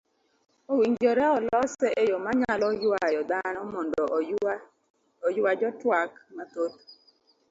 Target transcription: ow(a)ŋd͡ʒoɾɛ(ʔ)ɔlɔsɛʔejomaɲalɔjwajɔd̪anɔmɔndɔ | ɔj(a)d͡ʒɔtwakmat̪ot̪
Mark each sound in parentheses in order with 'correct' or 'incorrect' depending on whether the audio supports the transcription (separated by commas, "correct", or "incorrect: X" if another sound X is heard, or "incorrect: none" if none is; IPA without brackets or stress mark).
incorrect: i, incorrect: none, correct